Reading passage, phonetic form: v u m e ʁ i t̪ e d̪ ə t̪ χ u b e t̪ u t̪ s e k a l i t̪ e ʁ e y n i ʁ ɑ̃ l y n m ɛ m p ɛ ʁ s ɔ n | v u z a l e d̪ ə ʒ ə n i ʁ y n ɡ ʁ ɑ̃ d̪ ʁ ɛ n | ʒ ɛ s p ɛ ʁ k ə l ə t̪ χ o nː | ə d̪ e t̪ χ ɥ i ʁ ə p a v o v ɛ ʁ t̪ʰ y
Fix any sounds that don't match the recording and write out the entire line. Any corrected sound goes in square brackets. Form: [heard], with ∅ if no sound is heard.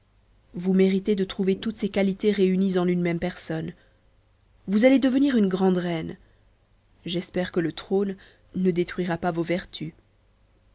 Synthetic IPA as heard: v u m e ʁ i t̪ e d̪ ə t̪ χ u [v] e t̪ u t̪ s e k a l i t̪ e ʁ e y n i [z] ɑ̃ l y n m ɛ m p ɛ ʁ s ɔ n | v u z a l e d̪ ə [v] ə n i ʁ y n ɡ ʁ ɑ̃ d̪ ʁ ɛ n | ʒ ɛ s p ɛ ʁ k ə l ə t̪ χ o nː | ə d̪ e t̪ χ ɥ i ʁ [a] p a v o v ɛ ʁ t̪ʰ y

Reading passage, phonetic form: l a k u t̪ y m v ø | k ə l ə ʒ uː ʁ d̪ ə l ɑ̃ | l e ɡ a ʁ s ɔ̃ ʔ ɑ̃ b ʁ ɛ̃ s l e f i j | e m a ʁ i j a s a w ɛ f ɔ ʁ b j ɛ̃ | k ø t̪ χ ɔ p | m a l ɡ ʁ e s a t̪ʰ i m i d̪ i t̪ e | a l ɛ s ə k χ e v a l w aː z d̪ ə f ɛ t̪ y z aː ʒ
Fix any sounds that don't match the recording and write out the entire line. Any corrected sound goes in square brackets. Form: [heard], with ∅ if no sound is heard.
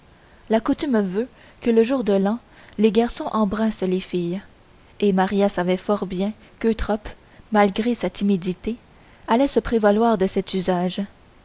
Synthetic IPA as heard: l a k u t̪ y m v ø | k ə l ə ʒ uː ʁ d̪ ə l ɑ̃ | l e ɡ a ʁ s ɔ̃ ʔ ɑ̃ b ʁ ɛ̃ s l e f i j | e m a ʁ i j a s a [v] ɛ f ɔ ʁ b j ɛ̃ | k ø t̪ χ ɔ p | m a l ɡ ʁ e s a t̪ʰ i m i d̪ i t̪ e | a l ɛ s ə [p] χ e v a l w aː [ʁ] d̪ ə [s] ɛ t̪ y z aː ʒ

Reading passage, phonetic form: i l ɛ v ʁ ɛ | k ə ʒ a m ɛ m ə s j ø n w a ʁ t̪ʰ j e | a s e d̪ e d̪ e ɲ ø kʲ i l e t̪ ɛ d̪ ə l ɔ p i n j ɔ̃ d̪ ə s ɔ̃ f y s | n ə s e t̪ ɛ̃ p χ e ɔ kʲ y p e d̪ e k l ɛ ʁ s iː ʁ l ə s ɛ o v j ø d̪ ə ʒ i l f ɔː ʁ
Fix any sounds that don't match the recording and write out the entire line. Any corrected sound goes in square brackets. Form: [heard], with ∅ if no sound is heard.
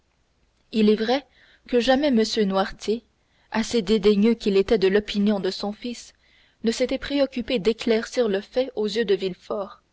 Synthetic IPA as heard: i l ɛ v ʁ ɛ | k ə ʒ a m ɛ m ə s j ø n w a ʁ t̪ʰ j e | a s e d̪ e d̪ e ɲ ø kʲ i l e t̪ ɛ d̪ ə l ɔ p i n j ɔ̃ d̪ ə s ɔ̃ f [i] s | n ə s e t̪ [ɛ] p χ e ɔ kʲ y p e d̪ e k l ɛ ʁ s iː ʁ l ə [f] ɛ o [z] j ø d̪ ə [v] i l f ɔː ʁ

